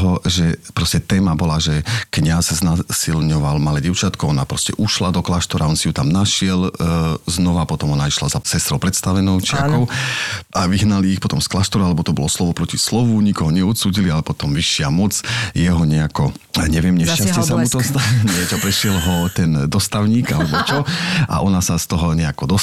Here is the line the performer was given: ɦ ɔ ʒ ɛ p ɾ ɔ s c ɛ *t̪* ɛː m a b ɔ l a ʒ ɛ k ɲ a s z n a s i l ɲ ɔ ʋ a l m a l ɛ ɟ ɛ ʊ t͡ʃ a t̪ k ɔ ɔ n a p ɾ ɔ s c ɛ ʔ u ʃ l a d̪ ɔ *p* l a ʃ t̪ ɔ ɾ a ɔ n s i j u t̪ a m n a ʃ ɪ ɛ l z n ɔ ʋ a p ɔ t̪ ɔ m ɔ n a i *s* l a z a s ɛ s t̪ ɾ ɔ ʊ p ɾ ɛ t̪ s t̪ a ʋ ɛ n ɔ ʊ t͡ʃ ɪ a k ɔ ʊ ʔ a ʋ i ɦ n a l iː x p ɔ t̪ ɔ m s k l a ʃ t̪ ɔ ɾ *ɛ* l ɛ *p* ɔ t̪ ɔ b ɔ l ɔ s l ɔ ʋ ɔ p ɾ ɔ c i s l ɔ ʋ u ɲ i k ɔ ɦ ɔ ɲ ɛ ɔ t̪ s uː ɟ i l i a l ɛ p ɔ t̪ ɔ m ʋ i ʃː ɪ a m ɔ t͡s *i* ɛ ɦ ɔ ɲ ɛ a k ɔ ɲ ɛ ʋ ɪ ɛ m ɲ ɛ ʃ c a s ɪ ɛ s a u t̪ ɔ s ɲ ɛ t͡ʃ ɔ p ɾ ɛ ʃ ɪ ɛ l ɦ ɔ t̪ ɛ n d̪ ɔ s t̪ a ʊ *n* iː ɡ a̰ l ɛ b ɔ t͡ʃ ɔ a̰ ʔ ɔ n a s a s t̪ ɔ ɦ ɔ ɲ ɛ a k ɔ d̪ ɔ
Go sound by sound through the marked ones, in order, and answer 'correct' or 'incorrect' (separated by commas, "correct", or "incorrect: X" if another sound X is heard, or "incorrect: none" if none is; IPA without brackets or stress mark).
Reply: correct, incorrect: k, incorrect: ʃ, incorrect: a, incorrect: b, incorrect: j, incorrect: ɲ